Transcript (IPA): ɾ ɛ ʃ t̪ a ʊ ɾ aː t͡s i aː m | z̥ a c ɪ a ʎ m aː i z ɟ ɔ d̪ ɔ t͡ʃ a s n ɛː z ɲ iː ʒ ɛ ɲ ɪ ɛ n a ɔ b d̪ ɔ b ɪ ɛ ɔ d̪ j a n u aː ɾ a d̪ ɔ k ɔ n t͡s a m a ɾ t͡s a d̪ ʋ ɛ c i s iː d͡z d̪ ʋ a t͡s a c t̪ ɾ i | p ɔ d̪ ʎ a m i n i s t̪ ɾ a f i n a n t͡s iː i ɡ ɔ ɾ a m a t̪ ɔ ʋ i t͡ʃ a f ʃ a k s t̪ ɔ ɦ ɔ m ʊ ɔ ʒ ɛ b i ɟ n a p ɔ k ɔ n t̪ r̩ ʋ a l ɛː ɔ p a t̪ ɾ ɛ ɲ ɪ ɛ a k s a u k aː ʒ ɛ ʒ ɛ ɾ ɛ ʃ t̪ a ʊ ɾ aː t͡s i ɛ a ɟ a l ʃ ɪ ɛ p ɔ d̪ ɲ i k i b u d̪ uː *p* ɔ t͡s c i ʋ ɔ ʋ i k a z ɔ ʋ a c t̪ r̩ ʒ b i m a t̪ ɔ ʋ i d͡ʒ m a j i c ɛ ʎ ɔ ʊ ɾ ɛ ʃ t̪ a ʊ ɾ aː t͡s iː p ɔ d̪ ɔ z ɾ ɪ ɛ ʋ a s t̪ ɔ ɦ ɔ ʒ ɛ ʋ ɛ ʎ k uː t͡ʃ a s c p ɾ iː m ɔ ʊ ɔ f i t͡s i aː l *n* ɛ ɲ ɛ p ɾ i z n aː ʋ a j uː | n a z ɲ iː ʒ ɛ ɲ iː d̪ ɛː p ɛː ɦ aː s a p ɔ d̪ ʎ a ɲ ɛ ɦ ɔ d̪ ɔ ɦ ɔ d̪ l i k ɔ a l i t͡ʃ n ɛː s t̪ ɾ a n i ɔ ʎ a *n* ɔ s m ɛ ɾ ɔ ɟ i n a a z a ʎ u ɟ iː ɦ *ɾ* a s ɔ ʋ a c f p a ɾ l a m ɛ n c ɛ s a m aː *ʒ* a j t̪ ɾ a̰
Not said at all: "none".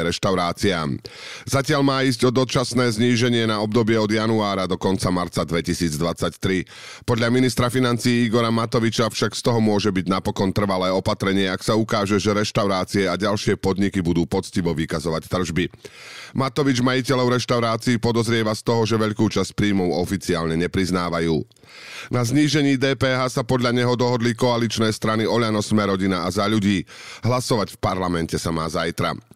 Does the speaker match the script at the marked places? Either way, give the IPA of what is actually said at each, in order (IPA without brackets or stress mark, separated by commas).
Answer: p, ɲ, n, l, z